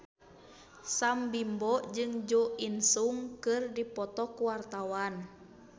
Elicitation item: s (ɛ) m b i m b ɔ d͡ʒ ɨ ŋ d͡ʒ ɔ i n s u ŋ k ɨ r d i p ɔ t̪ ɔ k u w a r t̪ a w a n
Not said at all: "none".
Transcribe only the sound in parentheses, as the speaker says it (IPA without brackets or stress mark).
a